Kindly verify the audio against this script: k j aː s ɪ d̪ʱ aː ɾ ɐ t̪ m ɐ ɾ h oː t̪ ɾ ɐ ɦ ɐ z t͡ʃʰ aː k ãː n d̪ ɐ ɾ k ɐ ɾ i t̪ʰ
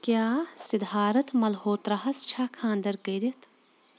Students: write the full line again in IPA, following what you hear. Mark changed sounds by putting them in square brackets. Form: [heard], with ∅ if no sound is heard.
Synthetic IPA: k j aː s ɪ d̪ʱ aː ɾ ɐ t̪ m ɐ [l] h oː t̪ ɾ ɐ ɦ ɐ [s] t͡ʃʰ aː [kʰ] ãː n d̪ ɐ ɾ k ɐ ɾ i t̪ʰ